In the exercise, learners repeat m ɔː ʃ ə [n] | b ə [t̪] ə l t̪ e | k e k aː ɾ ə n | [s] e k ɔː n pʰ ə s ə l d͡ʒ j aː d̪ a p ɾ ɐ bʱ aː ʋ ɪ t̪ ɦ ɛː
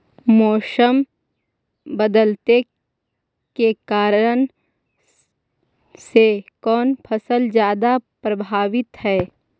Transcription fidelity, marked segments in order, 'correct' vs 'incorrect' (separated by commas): incorrect, incorrect, correct